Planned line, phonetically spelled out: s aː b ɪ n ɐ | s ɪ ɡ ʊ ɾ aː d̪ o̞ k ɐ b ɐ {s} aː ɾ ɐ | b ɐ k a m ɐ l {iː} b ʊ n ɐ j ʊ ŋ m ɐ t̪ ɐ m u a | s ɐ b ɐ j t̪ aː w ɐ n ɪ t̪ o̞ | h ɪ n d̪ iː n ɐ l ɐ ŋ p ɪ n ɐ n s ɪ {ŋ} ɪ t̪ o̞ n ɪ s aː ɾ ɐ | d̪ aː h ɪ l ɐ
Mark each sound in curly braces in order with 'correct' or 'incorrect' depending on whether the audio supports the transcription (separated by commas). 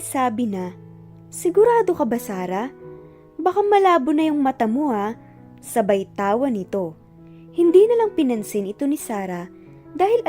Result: correct, incorrect, incorrect